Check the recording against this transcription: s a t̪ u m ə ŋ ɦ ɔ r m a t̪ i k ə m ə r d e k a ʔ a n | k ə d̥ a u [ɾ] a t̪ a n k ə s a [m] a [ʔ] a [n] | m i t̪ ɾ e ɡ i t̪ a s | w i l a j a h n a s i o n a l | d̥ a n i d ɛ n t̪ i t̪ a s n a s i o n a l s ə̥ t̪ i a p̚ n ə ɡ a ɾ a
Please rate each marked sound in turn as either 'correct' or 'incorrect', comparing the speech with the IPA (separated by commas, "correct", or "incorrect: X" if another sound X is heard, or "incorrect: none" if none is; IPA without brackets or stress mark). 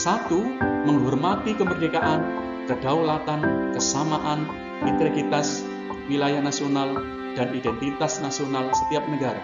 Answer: incorrect: l, correct, correct, correct